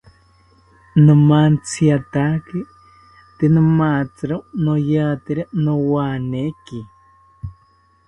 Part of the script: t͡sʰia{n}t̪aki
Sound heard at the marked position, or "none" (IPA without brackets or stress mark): none